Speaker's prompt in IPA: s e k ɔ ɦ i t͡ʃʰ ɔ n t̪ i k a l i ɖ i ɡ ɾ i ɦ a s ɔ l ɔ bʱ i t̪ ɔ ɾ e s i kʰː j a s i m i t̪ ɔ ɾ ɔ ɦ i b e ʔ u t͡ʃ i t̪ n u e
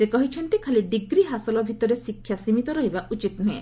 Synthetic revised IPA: s e k ɔ ɦ i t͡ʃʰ ɔ n t̪ i kʰ a l i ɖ i ɡ ɾ i ɦ a s ɔ l ɔ bʱ i t̪ ɔ ɾ e s i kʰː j a s i m i t̪ ɔ ɾ ɔ ɦ i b a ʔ u t͡ʃ i t̪ n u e